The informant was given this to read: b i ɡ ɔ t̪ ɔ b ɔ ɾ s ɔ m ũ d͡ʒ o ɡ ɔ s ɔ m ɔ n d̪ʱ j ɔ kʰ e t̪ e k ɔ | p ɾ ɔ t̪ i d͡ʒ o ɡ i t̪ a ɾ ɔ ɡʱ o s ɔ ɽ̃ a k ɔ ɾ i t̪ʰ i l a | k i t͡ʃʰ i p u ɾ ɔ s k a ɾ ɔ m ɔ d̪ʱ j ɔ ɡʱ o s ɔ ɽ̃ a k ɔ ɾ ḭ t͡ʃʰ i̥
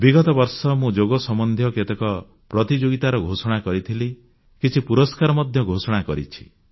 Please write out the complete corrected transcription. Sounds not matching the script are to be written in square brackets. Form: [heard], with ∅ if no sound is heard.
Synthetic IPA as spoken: b i ɡ ɔ t̪ ɔ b ɔ ɾ s ɔ m ũ d͡ʒ o ɡ ɔ s ɔ m ɔ n d̪ʱ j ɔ [k] e t̪ e k ɔ | p ɾ ɔ t̪ i d͡ʒ o ɡ i t̪ a ɾ ɔ ɡʱ o s ɔ ɽ̃ a k ɔ ɾ i t̪ʰ i l [i] | k i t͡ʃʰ i p u ɾ ɔ s k a ɾ ɔ m ɔ d̪ʱ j ɔ ɡʱ o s ɔ ɽ̃ a k ɔ ɾ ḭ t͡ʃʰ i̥